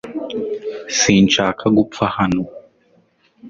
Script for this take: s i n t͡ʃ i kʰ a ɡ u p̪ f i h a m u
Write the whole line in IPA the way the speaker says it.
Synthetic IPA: s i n t͡ʃ a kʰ a ɡ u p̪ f a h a n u